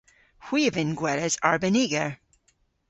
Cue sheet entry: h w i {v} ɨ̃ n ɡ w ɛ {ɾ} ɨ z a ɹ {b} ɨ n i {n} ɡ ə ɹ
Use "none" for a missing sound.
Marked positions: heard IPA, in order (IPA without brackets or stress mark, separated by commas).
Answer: v, ɾ, b, none